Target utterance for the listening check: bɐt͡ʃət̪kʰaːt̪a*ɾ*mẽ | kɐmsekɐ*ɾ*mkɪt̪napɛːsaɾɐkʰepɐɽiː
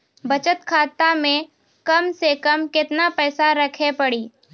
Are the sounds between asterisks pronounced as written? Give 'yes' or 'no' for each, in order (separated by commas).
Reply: no, no